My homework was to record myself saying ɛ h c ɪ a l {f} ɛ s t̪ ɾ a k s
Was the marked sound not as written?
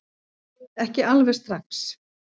yes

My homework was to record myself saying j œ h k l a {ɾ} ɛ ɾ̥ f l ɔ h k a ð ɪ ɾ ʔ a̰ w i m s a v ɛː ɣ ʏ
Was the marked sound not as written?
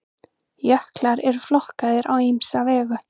no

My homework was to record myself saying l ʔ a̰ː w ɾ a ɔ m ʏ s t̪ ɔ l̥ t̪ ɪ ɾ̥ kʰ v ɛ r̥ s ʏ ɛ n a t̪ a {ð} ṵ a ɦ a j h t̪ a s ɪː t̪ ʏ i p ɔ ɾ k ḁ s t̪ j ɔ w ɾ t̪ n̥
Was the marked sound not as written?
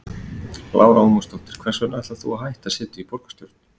yes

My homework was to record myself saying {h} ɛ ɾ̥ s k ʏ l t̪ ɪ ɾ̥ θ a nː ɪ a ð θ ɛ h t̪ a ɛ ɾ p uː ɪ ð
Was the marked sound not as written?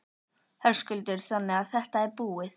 no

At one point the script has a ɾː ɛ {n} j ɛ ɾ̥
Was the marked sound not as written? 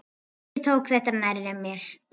yes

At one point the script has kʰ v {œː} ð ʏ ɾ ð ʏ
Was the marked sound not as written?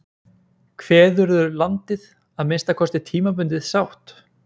yes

